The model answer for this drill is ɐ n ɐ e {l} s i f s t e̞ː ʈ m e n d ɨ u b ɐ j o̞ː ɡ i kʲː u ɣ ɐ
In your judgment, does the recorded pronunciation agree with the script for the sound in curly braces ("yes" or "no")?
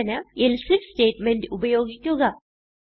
yes